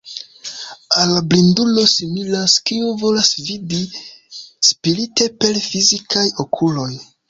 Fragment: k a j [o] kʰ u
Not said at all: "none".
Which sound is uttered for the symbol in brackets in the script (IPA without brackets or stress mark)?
o